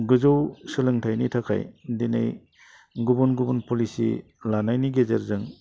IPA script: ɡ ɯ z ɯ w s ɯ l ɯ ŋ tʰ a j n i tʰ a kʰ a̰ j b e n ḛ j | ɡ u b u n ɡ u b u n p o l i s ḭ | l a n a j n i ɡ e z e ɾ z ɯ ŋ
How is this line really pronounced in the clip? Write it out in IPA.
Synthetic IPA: ɡ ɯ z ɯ w s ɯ l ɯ ŋ tʰ a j n i tʰ a kʰ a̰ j d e n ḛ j | ɡ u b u n ɡ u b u n p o l i s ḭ | l a n a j n i ɡ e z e ɾ z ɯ ŋ